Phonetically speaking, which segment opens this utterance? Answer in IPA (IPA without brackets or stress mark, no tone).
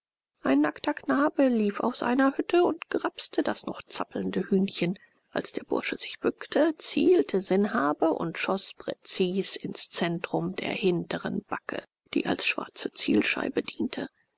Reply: ʔ